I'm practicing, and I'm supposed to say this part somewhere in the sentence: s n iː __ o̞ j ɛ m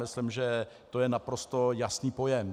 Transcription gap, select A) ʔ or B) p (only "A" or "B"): B